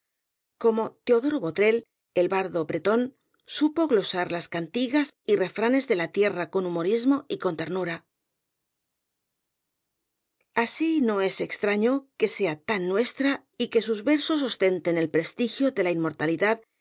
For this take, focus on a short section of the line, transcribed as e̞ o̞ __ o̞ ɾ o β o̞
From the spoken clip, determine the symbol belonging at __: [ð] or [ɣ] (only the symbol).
ð